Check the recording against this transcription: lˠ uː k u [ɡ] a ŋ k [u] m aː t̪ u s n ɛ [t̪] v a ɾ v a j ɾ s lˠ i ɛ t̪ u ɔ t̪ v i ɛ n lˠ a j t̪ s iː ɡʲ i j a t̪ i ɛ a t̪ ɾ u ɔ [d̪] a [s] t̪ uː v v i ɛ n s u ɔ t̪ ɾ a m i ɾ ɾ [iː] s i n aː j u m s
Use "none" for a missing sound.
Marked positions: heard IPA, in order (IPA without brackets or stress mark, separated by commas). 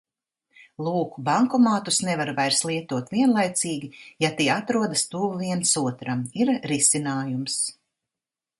b, ɔ, none, d̪, s, i